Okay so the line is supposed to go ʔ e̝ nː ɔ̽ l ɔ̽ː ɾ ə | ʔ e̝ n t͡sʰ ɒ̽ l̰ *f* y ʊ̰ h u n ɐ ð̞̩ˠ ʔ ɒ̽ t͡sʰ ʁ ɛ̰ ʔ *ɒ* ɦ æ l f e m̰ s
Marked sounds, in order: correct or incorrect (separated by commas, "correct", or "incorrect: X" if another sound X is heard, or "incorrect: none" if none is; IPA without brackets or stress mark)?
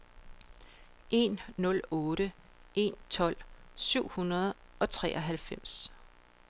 incorrect: s, correct